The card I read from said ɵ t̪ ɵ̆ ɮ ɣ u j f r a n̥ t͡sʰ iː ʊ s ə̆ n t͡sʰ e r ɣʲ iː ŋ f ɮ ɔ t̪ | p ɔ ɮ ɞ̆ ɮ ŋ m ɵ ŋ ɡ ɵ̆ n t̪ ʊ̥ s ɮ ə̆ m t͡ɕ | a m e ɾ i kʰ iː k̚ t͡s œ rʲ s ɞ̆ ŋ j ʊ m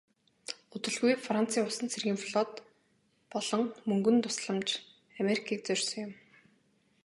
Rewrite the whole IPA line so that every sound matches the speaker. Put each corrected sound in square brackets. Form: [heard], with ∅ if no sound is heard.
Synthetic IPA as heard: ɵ t̪ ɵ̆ ɮ ɣ u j f r a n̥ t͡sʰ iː ʊ s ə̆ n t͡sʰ e r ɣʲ iː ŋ f ɮ ɔ t̪ | p ɔ ɮ ɞ̆ [∅] ŋ m ɵ ŋ ɡ ɵ̆ n t̪ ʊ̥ s ɮ ə̆ m t͡ɕ | a m e ɾ i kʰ iː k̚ t͡s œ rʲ s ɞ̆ ŋ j ʊ m